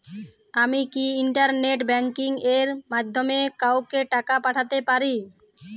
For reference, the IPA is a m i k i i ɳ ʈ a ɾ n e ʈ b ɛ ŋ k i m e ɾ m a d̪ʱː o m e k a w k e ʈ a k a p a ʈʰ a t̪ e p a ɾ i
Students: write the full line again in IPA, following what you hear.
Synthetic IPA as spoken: a m i k i i ɳ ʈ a ɾ n e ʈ b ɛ ŋ k i ŋ e ɾ m a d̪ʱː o m e k a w k e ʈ a k a p a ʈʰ a t̪ e p a ɾ i